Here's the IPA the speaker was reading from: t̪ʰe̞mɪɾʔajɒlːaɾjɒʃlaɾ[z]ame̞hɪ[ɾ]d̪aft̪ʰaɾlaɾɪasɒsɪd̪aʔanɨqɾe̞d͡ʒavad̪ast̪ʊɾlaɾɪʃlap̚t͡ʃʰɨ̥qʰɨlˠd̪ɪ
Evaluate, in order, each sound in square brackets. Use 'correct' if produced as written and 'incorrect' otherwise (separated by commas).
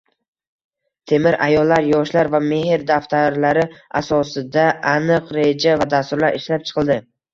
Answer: incorrect, correct